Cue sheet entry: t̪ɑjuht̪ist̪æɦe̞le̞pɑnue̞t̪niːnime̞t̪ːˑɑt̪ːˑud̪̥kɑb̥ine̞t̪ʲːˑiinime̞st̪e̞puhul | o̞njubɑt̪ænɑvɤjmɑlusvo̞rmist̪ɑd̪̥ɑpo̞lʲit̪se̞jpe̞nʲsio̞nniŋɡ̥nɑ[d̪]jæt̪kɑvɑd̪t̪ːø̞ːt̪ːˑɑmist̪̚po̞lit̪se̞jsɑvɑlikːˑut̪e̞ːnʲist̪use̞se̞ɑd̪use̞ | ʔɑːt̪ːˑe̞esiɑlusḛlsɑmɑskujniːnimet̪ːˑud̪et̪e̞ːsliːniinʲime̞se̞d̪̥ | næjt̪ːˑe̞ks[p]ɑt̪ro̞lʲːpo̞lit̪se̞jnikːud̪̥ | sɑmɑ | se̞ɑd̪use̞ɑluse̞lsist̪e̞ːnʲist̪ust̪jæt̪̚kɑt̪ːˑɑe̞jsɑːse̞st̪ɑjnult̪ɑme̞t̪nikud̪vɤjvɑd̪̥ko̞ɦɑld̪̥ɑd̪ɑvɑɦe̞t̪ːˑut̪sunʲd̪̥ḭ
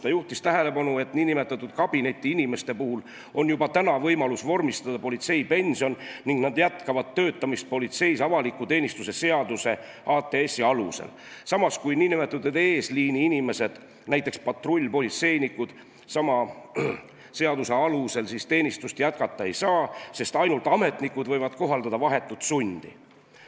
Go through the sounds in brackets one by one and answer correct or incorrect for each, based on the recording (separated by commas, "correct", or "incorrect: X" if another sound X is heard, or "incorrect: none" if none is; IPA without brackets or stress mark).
correct, correct